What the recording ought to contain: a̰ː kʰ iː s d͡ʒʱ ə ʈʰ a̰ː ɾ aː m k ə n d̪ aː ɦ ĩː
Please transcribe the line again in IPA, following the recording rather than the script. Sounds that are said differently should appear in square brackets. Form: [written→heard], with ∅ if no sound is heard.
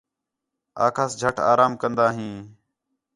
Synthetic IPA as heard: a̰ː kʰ [iː→aː] s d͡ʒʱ ə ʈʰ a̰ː ɾ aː m k ə n d̪ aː ɦ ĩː

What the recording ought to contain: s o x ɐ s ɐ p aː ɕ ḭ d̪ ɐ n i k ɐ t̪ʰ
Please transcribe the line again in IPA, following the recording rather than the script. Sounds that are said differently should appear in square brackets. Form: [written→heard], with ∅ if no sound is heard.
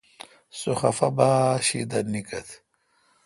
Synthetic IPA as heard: s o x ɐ [s→f] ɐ [p→b] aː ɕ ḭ d̪ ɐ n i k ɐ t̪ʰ

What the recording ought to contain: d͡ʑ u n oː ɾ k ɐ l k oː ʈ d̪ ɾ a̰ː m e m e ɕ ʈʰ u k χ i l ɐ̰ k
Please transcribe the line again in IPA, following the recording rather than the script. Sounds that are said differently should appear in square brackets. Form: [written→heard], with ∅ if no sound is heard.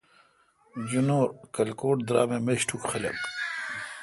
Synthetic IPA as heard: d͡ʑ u n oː ɾ k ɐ l k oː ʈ d̪ ɾ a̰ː m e m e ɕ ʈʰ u k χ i l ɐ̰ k

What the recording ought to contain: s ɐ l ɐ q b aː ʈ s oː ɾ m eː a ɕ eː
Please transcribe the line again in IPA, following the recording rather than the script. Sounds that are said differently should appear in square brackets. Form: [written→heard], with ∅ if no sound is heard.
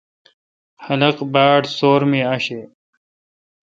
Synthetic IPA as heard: [s→h] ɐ l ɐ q b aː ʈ s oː ɾ m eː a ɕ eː

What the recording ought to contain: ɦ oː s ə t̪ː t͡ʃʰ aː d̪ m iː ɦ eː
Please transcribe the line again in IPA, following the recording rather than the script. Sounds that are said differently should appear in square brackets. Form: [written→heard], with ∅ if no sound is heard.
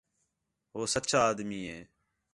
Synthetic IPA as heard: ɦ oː s ə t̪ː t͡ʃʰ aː d̪ m iː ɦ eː

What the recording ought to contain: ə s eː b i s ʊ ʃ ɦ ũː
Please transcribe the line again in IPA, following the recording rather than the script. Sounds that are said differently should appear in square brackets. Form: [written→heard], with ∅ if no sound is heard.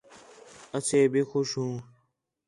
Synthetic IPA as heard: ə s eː b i [s→x] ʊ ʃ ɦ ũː

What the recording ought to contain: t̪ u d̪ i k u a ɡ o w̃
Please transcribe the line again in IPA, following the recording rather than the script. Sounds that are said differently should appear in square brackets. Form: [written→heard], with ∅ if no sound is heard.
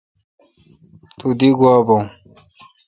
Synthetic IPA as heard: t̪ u d̪ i [k→ɡ] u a [ɡ→b] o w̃

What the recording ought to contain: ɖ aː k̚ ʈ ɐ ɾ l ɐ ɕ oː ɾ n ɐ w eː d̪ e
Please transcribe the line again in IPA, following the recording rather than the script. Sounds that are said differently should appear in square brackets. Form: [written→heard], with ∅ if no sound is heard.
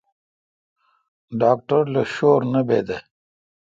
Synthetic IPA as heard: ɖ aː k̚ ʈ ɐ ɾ l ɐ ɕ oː ɾ n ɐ [w→b] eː d̪ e

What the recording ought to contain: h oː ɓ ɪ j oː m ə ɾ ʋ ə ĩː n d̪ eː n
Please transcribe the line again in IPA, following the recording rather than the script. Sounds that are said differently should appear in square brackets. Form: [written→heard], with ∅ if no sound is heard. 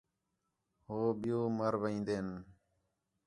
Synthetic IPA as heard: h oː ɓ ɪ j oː m ə ɾ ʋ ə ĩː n d̪ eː n

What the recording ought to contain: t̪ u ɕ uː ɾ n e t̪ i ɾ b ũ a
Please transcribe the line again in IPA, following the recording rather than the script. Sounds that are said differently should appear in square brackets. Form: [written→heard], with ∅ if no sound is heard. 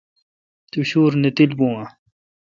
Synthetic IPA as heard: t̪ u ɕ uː ɾ n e t̪ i [ɾ→l] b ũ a

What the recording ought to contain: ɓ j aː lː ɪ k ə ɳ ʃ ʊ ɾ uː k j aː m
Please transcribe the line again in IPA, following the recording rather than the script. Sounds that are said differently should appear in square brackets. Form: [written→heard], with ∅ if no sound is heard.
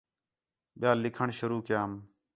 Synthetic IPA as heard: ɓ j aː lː ɪ [k→kʰ] ə ɳ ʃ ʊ ɾ uː k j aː m

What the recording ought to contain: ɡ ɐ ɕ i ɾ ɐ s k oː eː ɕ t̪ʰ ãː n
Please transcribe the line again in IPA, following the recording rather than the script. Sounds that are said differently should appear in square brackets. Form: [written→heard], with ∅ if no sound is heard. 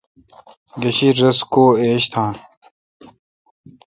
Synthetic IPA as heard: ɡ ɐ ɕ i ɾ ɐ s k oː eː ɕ t̪ʰ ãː n

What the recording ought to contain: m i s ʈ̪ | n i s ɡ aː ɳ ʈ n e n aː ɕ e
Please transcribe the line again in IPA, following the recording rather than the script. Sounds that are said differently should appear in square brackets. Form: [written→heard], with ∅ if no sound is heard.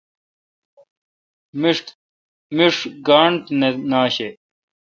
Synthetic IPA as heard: m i [s→ʂ] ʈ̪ | [n→m] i [s→ʂ] ɡ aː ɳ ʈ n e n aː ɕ e

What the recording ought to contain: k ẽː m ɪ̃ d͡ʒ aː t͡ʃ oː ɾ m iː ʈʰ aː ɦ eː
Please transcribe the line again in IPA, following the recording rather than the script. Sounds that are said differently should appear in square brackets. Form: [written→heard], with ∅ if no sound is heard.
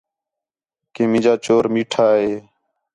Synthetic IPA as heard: k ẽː m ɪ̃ d͡ʒ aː t͡ʃ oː ɾ m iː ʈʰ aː ɦ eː

